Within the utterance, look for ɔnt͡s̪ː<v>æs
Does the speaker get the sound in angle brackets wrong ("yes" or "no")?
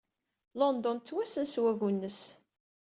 yes